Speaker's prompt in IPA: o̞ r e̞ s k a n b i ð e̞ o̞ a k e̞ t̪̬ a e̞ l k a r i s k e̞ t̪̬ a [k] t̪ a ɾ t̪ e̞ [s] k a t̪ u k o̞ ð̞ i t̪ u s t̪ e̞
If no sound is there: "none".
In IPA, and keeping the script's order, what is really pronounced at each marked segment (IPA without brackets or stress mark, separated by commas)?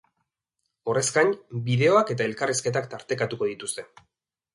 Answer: k, none